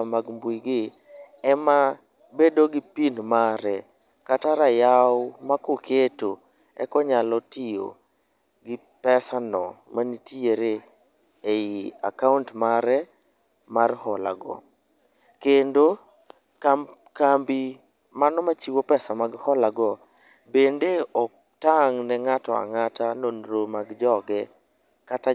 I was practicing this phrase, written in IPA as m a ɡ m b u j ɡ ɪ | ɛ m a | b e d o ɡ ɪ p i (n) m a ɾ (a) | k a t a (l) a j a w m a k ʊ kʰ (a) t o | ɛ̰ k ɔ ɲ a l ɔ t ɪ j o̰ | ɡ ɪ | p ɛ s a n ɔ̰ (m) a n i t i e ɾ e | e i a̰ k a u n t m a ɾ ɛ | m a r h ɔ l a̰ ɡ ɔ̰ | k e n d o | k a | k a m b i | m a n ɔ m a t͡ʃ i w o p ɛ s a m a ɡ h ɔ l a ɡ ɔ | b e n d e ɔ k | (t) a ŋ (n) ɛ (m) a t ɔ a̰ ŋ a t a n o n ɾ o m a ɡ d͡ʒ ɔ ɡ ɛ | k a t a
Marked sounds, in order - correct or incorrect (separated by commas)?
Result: correct, incorrect, incorrect, incorrect, correct, correct, correct, incorrect